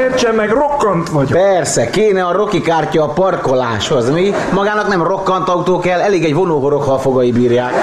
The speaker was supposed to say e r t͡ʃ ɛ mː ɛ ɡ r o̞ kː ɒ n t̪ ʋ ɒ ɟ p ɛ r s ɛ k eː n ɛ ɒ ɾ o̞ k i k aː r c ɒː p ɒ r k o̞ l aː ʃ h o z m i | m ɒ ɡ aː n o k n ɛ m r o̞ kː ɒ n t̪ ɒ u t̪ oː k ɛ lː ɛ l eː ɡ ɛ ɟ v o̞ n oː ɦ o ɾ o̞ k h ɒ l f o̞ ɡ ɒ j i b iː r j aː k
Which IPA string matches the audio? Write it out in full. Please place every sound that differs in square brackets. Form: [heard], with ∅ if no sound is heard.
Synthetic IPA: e r t͡ʃ ɛ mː ɛ ɡ r o̞ kː ɒ n t̪ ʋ ɒ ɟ p ɛ r s ɛ k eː n ɛ ɒ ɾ o̞ k i k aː r c ɒː p ɒ r k o̞ l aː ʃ h o z m i | m ɒ ɡ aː n [ɒ] k n ɛ m r o̞ kː ɒ n t̪ ɒ u t̪ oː k ɛ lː ɛ l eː ɡ ɛ ɟ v o̞ n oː ɦ o ɾ o̞ k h ɒ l f o̞ ɡ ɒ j i b iː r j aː k